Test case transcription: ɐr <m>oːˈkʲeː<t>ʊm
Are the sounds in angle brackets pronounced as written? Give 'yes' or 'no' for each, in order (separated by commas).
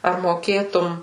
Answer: yes, yes